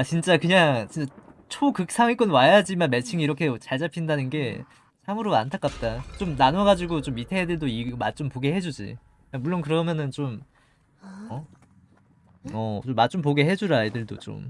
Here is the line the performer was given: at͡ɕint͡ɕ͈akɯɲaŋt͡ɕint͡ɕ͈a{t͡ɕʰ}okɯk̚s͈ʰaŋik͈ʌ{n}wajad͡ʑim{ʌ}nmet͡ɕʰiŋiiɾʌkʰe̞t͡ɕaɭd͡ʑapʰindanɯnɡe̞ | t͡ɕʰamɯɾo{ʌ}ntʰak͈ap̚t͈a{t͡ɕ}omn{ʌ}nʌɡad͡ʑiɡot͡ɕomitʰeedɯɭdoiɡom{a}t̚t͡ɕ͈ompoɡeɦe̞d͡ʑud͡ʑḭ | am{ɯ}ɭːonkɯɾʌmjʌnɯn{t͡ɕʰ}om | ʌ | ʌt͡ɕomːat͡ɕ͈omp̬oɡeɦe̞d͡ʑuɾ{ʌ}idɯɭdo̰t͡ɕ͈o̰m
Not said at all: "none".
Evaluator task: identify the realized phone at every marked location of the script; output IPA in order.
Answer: t͡ɕʰ, n, a, a, t͡ɕ, a, a, u, t͡ɕ, a

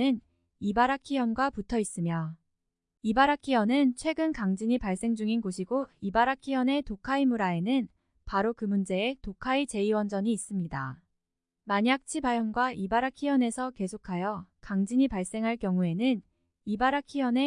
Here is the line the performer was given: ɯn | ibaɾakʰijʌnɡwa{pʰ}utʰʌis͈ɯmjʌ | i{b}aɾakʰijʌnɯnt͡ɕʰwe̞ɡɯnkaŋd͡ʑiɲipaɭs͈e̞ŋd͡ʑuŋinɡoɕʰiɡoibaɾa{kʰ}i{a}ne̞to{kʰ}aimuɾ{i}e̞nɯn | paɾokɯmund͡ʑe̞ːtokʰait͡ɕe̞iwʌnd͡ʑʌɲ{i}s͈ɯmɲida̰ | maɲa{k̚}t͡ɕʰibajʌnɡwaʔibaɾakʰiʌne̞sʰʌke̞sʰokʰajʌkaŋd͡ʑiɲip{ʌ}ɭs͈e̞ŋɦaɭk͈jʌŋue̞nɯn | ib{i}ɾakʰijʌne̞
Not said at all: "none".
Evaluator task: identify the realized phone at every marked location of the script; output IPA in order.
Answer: p, b, kʰ, ʌ, kʰ, a, iː, k̚, a, a

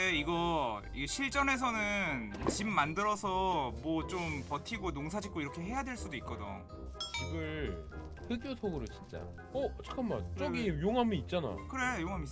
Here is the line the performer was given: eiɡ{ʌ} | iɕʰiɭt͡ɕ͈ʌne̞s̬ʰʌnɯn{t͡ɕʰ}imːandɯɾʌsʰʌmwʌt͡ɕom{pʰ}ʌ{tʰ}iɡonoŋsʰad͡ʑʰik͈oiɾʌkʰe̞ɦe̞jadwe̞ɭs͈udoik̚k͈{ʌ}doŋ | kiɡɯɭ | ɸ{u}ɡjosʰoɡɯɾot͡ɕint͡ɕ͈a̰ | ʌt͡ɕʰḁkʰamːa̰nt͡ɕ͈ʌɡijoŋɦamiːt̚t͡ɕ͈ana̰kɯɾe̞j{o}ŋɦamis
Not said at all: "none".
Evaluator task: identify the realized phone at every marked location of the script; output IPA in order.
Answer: ʌ, t͡ɕ, p, tʰ, ʌ, ɯ, o

